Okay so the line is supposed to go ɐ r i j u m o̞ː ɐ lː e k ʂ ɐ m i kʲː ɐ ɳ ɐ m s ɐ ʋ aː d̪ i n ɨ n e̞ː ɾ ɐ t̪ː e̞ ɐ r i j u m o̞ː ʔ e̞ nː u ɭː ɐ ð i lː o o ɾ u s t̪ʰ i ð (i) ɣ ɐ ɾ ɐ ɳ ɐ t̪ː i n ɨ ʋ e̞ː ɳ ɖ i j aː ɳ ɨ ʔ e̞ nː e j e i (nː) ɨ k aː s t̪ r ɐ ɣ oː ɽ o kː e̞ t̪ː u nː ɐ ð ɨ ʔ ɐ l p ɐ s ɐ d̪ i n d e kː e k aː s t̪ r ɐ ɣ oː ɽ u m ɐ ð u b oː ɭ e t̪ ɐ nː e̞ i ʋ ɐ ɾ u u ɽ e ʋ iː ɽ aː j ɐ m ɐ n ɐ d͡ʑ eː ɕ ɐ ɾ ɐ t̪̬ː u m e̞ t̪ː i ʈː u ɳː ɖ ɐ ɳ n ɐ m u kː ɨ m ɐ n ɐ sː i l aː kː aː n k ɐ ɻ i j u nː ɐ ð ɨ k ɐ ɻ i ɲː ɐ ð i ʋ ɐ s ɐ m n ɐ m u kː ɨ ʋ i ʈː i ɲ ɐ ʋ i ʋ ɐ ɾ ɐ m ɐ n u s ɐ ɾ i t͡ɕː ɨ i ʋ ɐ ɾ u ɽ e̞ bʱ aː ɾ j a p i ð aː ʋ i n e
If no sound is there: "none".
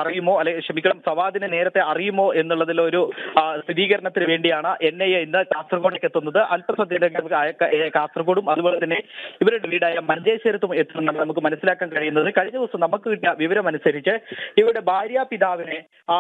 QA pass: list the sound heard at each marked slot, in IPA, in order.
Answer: iː, nː

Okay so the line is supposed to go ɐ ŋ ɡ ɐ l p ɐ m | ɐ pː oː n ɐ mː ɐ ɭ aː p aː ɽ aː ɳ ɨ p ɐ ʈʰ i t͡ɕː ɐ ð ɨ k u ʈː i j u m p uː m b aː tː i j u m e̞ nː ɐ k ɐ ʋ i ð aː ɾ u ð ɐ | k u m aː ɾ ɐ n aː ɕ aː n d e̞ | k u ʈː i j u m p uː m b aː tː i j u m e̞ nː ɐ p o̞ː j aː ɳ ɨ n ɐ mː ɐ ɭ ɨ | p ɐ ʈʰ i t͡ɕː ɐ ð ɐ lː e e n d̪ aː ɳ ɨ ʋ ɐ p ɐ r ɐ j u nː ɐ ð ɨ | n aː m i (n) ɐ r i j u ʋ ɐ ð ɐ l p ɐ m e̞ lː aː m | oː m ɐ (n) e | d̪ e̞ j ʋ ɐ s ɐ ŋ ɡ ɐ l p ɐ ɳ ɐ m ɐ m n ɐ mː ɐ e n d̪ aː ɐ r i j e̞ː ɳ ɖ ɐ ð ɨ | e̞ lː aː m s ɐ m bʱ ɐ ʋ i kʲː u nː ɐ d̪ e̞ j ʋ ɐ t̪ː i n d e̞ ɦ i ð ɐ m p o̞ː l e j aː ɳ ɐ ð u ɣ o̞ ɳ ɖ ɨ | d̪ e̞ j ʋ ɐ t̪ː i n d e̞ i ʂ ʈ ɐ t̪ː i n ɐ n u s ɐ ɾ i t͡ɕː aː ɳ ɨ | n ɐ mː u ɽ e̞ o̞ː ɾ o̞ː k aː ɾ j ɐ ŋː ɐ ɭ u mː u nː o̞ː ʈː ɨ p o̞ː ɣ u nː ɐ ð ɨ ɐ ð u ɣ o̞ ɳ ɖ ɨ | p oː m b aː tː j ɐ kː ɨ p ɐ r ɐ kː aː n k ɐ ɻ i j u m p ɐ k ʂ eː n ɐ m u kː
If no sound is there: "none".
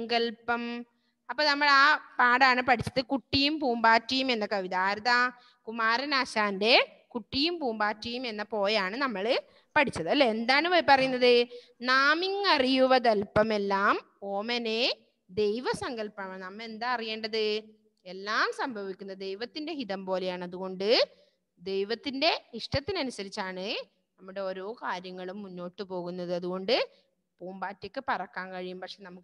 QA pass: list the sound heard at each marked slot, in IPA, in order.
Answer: ŋ, n

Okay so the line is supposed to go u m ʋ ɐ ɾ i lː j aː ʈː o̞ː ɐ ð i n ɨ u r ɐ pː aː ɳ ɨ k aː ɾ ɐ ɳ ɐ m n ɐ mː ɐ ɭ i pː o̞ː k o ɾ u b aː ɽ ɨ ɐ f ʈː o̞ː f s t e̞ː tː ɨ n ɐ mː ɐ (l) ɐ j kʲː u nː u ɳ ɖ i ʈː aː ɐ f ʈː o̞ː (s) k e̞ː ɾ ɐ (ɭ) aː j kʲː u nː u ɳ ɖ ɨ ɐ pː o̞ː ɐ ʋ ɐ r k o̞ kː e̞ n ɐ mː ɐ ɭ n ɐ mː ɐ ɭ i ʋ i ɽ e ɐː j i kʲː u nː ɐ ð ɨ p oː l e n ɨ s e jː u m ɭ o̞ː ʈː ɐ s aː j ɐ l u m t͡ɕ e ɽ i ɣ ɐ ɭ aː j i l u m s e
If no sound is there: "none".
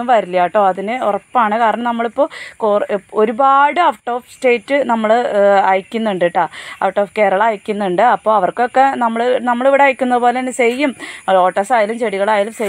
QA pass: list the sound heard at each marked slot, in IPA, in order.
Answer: ɭ, f, ɭ

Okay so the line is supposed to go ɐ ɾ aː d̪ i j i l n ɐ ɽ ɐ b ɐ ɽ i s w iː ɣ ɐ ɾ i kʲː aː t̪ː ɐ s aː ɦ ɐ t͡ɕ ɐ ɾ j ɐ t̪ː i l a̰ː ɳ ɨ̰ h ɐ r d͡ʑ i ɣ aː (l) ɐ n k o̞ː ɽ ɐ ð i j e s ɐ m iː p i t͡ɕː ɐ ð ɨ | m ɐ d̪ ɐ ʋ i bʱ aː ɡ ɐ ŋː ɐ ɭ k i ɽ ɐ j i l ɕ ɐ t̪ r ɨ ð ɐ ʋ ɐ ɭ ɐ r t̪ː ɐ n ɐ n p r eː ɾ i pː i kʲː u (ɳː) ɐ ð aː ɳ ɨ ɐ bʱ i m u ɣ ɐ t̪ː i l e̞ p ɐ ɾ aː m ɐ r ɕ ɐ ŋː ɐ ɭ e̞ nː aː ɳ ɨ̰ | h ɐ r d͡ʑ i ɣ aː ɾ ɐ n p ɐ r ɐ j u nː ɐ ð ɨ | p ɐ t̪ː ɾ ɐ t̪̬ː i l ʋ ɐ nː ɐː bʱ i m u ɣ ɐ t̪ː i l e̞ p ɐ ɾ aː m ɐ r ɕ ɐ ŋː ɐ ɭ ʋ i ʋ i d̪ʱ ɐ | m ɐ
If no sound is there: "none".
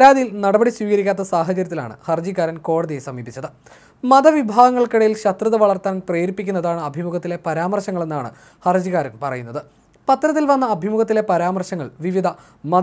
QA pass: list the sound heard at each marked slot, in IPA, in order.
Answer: ɾ, nː

